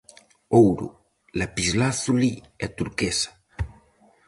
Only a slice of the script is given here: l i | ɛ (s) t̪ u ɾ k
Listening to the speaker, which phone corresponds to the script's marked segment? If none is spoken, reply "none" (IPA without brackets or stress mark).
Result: none